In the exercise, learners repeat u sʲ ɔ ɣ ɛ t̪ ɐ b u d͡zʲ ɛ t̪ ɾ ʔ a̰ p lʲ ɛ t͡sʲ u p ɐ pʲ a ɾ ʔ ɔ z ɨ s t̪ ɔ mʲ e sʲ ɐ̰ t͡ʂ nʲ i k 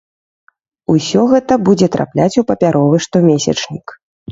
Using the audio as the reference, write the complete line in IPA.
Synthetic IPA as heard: u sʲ ɔ ɣ ɛ t̪ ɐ b u d͡zʲ ɛ t̪ ɾ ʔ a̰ p lʲ a t͡sʲ u p ɐ pʲ a ɾ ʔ ɔ v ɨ ʂ t̪ ɔ mʲ e sʲ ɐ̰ t͡ʂ nʲ i k

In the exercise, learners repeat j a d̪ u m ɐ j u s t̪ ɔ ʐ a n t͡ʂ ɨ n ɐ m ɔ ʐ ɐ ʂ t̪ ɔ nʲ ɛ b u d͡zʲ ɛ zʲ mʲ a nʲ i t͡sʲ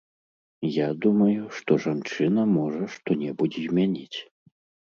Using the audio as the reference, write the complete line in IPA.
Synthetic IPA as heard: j a d̪ u m ɐ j u ʂ t̪ ɔ ʐ a n t͡ʂ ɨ n ɐ m ɔ ʐ ɐ ʂ t̪ ɔ nʲ ɛ b u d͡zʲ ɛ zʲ mʲ a nʲ i t͡sʲ

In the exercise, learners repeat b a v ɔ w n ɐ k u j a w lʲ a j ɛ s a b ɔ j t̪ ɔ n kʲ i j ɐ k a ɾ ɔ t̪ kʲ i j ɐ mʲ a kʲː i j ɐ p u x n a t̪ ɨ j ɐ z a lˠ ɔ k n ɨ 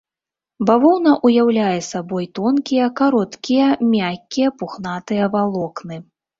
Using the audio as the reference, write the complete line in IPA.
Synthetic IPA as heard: b a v ɔ w n ɐ ʔ u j a w lʲ a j ɛ s a b ɔ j t̪ ɔ n kʲ i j ɐ k a ɾ ɔ t̪ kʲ i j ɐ mʲ a kʲː i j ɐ p u x n a t̪ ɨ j ɐ v a lˠ ɔ k n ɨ

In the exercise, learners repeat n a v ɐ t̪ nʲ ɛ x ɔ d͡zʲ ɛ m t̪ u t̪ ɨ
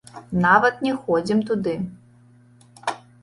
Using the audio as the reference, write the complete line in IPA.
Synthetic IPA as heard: n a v ɐ t̪ nʲ ɛ x ɔ d͡zʲ i m t̪ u d̪ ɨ

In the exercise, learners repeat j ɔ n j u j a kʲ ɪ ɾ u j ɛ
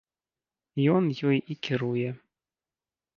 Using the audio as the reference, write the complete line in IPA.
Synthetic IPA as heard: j ɔ n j ɔ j i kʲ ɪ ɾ u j ɛ

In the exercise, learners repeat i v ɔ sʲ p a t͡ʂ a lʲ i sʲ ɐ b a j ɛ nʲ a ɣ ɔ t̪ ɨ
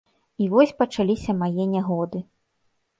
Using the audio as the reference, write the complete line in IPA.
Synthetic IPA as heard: i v ɔ sʲ p ɐ t͡ʂ a lʲ i sʲ ɐ m a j ɛ nʲ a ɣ ɔ d̪ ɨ

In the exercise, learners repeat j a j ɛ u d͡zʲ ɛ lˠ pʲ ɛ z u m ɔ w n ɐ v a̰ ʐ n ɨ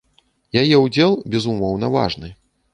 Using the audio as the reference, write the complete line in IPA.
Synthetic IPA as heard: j a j ɛ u d͡zʲ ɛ lˠ bʲ ɛ z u m ɔ w n ɐ v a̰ ʐ n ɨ

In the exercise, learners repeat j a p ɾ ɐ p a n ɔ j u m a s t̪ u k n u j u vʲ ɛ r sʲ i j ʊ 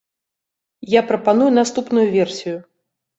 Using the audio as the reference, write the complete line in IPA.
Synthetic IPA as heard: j a p ɾ ɐ p a n u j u n a s t̪ u p n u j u vʲ ɛ r sʲ i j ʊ

